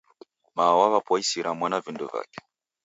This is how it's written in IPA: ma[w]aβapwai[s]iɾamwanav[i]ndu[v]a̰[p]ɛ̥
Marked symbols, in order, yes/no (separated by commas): yes, yes, yes, yes, no